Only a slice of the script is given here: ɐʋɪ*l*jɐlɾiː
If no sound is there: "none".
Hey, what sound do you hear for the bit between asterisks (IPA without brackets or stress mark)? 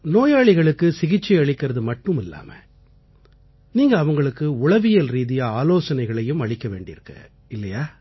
none